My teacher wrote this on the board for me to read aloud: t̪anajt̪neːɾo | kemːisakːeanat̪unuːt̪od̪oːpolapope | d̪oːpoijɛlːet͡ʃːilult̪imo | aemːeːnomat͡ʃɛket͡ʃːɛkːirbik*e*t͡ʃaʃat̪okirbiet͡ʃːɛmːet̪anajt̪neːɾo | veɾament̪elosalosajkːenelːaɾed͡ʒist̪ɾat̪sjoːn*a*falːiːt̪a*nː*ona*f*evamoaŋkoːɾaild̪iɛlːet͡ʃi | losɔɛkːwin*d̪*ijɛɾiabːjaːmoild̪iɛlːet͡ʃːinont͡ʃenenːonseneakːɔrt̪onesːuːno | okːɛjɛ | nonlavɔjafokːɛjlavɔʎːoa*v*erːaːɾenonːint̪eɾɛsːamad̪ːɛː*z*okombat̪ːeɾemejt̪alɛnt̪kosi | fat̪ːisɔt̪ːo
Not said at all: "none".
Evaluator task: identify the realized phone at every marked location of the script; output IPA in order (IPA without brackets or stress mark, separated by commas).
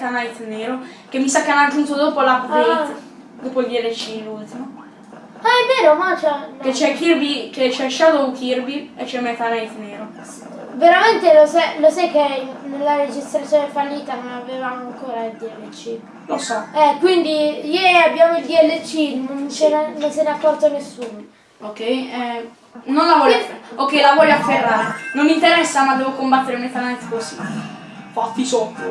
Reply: e, e, n, v, d̪, f, v